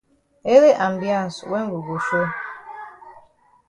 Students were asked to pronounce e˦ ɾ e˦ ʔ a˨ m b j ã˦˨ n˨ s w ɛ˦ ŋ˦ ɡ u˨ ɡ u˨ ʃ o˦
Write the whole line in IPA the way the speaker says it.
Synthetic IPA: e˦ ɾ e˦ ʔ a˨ m b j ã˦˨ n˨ s w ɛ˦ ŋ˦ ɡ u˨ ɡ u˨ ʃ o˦